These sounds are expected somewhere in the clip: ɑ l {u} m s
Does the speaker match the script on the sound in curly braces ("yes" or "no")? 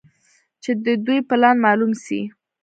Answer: yes